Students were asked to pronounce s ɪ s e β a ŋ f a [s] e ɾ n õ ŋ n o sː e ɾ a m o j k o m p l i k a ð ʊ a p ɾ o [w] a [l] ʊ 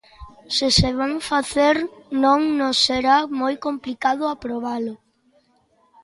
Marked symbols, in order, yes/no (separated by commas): no, no, yes